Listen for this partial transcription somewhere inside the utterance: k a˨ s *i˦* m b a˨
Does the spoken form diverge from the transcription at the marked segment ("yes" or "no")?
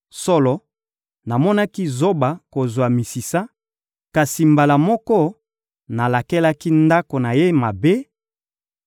yes